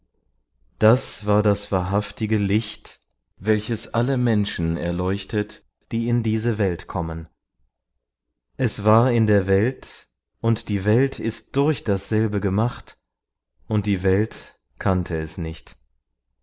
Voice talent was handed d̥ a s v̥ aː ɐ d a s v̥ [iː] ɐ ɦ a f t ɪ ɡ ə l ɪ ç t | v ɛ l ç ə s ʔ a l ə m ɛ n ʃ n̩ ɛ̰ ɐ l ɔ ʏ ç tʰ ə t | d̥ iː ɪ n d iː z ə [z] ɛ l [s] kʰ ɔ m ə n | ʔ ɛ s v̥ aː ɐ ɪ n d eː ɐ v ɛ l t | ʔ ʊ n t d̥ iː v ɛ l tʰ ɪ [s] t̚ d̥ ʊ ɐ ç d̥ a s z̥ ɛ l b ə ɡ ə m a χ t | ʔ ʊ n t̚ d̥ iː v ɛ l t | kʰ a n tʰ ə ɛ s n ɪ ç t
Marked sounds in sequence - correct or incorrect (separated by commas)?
incorrect, incorrect, incorrect, correct